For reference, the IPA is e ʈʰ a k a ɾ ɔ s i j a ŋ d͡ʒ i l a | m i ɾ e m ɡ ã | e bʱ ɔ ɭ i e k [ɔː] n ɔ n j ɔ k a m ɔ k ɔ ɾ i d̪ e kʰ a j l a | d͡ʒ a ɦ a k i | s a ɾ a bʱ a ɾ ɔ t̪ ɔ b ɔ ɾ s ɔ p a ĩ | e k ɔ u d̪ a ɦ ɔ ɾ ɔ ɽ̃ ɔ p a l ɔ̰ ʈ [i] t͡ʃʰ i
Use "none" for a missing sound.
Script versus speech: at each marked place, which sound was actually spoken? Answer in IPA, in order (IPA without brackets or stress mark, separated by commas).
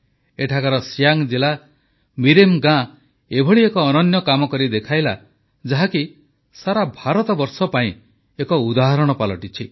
ɔː, i